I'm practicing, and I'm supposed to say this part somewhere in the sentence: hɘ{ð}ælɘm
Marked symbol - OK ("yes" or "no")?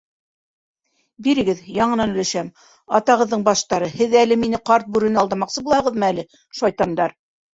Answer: yes